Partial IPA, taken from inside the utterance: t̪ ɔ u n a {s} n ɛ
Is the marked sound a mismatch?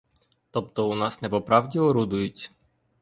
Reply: no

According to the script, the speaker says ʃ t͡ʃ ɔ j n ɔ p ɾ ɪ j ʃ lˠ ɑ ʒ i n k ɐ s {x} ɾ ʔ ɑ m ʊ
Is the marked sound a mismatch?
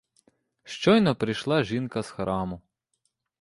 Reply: no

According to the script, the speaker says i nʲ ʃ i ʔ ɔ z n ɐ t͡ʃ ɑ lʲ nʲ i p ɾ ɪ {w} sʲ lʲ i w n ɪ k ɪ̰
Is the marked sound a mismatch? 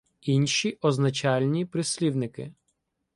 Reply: yes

